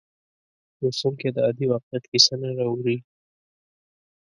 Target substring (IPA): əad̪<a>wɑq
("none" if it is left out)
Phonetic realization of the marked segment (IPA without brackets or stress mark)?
i